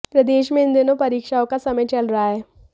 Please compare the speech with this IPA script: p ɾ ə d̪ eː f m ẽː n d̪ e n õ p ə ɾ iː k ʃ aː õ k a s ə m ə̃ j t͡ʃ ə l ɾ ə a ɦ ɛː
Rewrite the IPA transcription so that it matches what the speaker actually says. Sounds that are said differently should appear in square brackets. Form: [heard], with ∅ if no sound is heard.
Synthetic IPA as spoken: p ɾ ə d̪ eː [ʃ] m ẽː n d̪ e n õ p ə ɾ iː k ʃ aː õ k a s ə m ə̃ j t͡ʃ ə l ɾ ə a ɦ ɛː